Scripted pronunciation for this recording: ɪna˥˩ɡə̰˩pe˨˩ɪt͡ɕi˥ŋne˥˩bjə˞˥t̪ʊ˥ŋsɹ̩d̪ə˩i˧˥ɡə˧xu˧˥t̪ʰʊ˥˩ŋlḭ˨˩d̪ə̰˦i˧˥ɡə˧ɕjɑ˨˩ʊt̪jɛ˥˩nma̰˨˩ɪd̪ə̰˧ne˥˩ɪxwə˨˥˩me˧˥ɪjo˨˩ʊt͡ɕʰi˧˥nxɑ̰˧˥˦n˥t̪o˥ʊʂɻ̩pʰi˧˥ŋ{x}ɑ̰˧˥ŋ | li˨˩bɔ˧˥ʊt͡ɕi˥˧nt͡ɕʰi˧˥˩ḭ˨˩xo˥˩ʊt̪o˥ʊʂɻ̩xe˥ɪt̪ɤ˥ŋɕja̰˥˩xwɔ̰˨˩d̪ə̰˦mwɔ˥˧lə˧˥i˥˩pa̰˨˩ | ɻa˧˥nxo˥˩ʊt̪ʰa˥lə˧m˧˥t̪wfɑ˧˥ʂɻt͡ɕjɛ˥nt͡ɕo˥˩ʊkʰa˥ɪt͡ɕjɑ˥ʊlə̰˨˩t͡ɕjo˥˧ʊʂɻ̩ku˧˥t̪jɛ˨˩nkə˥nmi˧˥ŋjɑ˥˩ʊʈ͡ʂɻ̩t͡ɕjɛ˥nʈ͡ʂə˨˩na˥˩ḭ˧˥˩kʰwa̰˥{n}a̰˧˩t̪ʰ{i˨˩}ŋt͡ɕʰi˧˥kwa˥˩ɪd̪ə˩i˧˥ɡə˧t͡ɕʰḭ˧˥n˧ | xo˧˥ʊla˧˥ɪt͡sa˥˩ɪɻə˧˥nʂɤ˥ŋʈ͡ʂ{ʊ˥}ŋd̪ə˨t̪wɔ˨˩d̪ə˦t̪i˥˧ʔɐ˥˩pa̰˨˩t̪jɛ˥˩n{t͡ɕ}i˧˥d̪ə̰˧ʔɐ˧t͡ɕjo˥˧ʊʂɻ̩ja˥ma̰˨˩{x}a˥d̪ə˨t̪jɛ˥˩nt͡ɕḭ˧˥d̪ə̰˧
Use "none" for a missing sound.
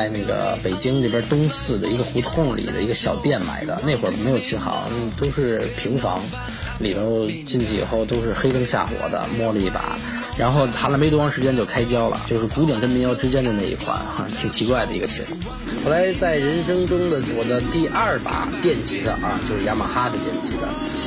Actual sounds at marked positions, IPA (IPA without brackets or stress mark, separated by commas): f, n, i˨˩, ʊ˥, t͡ɕ, x